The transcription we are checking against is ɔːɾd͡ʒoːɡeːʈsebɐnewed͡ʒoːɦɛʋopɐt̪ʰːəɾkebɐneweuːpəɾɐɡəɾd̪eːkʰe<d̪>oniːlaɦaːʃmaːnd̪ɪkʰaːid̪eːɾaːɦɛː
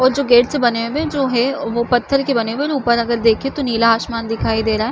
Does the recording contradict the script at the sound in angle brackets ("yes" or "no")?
yes